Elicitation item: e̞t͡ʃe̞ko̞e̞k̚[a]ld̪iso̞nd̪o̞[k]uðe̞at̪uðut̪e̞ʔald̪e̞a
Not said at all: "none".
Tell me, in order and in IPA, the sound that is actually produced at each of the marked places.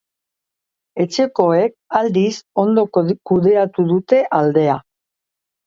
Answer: a, k

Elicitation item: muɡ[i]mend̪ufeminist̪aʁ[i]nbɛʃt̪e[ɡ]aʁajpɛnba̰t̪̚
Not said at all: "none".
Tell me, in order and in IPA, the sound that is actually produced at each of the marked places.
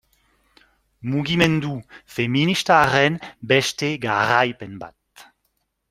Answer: i, ɛ, ɡ

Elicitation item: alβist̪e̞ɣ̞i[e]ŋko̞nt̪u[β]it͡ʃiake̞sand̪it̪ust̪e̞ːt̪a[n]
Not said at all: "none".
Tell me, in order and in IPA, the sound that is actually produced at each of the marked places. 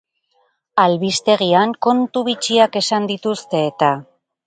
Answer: a, β, none

